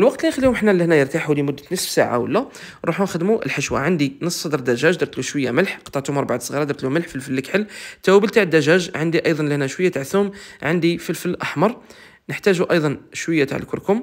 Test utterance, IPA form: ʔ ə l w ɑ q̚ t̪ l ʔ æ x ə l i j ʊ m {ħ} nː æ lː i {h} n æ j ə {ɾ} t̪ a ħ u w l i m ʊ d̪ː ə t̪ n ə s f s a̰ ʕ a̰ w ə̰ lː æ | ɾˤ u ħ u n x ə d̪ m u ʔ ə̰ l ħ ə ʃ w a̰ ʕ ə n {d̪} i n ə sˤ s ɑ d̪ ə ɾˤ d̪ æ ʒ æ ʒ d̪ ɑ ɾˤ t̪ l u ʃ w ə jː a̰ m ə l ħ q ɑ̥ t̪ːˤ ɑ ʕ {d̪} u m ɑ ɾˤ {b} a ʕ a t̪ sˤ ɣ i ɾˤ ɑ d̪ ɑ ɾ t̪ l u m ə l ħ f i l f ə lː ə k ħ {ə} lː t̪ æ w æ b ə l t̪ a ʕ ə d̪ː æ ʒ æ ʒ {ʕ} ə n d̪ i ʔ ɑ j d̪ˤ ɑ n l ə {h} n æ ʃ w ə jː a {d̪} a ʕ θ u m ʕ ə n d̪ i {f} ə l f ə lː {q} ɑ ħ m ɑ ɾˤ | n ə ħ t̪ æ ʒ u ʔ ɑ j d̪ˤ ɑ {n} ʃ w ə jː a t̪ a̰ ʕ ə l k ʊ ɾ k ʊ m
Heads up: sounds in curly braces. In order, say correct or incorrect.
correct, correct, correct, correct, incorrect: t̪, correct, correct, correct, correct, incorrect: t̪, correct, incorrect: ʔ, correct

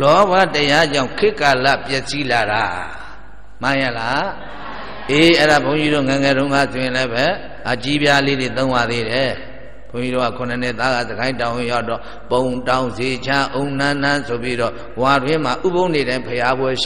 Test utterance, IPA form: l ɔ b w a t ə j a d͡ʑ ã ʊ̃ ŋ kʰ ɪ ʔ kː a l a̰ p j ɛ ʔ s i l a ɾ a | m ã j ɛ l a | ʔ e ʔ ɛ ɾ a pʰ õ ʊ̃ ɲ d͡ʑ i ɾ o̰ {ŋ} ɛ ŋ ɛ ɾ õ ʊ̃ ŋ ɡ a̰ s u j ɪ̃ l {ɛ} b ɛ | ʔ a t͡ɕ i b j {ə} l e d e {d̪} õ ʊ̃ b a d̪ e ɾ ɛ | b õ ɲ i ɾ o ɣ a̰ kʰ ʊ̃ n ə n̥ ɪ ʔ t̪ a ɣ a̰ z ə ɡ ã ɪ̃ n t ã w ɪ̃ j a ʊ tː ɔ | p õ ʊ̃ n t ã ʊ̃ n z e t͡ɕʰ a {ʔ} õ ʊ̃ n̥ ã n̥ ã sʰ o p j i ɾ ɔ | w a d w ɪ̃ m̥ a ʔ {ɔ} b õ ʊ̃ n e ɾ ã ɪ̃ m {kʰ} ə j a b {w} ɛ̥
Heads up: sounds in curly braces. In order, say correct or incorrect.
correct, correct, incorrect: a, incorrect: t̪, correct, incorrect: u, incorrect: pʰ, correct

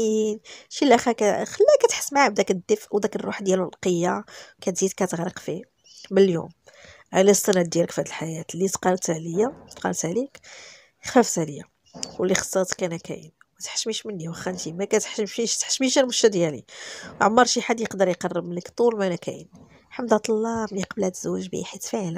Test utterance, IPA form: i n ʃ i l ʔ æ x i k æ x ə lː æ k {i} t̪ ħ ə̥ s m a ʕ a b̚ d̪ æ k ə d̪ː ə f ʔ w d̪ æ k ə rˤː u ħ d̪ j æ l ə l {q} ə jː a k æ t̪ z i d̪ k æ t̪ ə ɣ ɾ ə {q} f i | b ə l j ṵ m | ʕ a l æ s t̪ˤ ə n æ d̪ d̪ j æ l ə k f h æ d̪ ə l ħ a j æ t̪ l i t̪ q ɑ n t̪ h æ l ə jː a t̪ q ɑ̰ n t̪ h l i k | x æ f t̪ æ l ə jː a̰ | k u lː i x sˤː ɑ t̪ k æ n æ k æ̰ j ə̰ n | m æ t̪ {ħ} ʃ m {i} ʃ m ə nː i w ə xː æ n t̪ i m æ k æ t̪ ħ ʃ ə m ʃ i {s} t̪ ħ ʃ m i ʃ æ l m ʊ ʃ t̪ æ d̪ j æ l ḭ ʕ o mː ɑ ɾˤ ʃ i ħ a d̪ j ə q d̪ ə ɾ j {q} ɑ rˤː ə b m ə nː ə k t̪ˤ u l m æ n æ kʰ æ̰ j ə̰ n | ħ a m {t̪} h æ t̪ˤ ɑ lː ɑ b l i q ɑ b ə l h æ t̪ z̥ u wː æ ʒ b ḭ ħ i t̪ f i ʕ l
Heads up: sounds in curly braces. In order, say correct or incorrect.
incorrect: æ, correct, correct, correct, correct, incorrect: ʃ, correct, incorrect: d̪

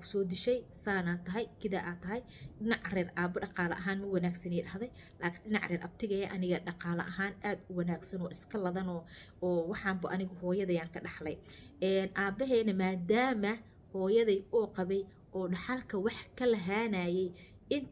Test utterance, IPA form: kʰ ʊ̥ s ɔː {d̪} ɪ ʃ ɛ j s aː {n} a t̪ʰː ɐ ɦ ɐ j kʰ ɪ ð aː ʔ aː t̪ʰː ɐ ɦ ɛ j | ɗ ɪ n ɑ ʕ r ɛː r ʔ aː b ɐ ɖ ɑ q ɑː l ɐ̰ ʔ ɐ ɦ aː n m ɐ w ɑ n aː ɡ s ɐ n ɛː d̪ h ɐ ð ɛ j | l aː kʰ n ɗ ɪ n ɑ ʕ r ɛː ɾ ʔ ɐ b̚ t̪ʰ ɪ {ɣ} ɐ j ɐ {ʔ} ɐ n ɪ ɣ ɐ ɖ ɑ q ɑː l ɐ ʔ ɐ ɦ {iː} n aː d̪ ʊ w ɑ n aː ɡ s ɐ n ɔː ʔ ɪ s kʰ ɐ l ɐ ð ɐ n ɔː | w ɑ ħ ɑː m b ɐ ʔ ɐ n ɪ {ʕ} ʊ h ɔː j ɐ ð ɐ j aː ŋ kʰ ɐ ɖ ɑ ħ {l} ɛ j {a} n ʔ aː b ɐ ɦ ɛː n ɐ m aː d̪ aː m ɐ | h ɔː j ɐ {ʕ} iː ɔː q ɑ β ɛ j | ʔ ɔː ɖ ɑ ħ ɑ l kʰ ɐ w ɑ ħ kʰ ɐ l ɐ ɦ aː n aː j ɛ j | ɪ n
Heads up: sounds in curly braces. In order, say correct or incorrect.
correct, correct, correct, correct, incorrect: aː, incorrect: ɣ, correct, incorrect: ɛ, incorrect: ð

